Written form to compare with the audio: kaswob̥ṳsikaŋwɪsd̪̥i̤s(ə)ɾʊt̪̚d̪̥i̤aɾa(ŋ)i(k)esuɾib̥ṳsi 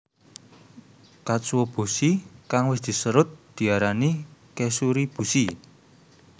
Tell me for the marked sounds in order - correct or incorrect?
correct, incorrect: n, correct

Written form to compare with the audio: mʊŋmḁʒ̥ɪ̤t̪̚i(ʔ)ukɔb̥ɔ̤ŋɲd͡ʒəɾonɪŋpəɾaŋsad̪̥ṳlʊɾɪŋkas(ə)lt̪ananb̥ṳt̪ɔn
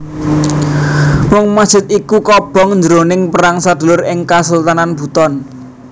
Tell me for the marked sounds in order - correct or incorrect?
incorrect: k, correct

